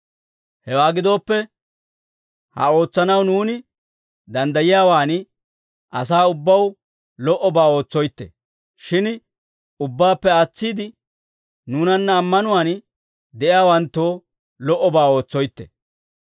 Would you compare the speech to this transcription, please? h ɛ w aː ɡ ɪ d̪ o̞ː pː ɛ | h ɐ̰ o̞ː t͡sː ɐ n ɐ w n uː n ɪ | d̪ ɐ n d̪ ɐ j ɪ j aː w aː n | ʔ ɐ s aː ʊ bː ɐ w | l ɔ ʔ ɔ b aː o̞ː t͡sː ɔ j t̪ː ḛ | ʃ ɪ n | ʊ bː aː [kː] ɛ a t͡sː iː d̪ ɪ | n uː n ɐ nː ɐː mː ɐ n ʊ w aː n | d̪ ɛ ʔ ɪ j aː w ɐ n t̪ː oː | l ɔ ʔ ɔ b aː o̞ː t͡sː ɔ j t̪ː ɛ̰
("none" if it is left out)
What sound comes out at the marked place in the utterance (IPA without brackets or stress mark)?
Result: pː